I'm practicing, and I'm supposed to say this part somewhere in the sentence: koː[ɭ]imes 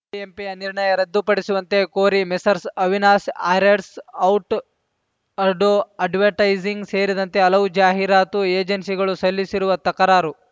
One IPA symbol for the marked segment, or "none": ɾ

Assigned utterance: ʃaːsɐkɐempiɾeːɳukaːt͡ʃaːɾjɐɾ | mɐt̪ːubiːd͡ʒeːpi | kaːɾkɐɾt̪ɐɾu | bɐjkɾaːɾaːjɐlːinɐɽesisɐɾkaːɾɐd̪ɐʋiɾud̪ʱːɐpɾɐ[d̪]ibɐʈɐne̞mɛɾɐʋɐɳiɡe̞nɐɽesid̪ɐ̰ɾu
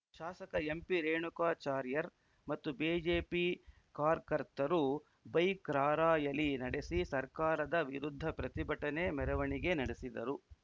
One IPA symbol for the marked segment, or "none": t̪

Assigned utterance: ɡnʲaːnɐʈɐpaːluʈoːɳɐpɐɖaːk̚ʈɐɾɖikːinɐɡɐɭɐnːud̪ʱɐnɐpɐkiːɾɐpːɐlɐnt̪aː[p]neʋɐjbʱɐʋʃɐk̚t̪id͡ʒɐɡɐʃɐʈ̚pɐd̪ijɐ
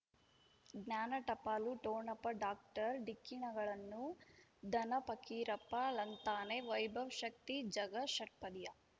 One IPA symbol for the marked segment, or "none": none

